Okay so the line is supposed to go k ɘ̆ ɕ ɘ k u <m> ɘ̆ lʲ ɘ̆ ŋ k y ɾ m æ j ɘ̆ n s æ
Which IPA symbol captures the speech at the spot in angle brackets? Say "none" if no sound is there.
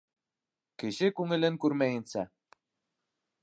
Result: ŋ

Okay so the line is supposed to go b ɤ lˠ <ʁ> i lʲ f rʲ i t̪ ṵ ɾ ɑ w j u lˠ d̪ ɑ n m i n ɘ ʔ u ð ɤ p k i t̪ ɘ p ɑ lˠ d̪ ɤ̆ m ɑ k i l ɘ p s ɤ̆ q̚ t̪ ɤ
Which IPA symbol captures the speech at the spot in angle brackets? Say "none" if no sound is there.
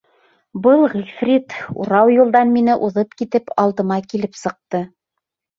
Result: ʁ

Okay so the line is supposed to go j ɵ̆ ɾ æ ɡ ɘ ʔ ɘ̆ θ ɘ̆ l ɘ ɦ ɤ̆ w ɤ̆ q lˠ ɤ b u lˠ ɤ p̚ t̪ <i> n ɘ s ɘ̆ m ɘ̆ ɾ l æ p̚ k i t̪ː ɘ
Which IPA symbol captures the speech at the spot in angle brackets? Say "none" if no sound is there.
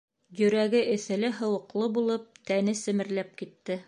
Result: æ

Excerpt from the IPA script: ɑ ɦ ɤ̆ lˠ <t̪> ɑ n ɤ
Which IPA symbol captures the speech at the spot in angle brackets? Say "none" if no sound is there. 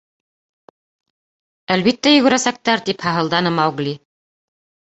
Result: d̪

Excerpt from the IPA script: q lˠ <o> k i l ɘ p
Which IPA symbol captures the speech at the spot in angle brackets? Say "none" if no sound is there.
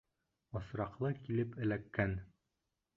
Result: ɤ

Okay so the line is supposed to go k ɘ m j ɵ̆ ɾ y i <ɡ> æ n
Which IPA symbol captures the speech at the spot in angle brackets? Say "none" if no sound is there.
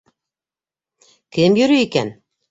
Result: k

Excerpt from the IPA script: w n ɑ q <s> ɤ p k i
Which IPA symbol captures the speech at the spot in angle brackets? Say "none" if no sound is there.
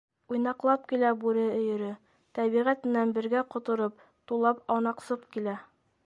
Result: s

